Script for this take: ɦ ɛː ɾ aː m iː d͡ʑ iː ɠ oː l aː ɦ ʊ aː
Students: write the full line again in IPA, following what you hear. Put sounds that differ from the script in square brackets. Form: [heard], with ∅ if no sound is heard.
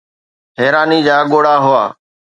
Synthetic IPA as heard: ɦ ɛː ɾ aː [n] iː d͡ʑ [aː] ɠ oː [ɽ] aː ɦ ʊ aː